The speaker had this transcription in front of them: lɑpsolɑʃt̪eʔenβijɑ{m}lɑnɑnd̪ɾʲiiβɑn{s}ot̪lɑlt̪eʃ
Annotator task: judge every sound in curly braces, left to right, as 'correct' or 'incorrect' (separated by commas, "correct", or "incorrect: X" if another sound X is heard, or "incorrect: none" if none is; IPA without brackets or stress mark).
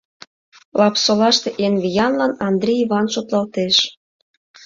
incorrect: n, incorrect: ʃ